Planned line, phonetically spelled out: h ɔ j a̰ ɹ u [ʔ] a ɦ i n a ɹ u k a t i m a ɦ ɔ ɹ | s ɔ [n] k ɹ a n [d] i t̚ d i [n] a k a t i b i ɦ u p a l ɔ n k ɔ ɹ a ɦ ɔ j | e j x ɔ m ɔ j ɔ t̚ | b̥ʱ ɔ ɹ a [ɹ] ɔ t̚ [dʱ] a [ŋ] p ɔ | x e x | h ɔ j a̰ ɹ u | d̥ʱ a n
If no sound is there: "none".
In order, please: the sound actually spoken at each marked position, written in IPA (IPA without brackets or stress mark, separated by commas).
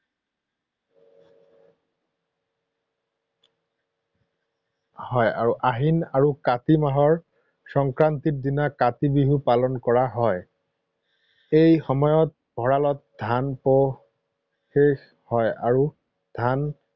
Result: ʔ, ŋ, t, n, l, dʱ, n